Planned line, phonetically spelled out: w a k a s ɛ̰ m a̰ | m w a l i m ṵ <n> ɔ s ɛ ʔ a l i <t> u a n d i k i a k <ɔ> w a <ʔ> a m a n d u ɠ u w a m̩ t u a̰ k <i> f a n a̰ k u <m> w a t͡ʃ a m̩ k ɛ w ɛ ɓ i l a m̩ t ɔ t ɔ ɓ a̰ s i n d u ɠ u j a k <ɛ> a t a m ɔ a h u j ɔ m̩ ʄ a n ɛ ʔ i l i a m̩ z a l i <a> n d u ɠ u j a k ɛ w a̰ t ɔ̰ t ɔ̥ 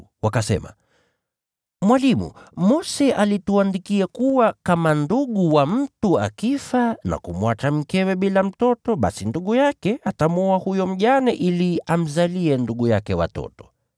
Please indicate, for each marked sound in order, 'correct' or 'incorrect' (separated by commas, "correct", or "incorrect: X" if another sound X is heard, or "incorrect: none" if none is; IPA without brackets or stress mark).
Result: incorrect: m, correct, incorrect: u, incorrect: k, correct, correct, correct, incorrect: ɛ